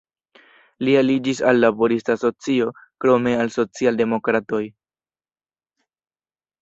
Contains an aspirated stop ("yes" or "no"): no